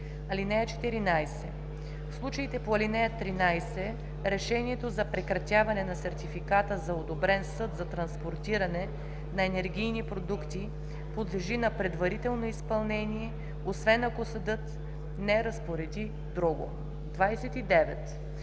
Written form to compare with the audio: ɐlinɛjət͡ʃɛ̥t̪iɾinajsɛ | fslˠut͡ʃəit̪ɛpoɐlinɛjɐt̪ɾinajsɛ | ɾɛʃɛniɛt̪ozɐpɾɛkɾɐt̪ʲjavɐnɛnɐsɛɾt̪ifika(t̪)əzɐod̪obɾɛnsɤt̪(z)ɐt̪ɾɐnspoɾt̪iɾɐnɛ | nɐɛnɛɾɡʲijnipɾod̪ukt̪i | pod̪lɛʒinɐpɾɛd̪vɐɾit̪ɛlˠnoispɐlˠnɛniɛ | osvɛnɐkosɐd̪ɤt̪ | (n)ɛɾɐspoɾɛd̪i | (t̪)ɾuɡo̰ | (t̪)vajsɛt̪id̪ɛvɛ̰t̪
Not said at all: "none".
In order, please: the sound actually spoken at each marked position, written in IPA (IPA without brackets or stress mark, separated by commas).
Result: t̪, z, n, d̪, d̪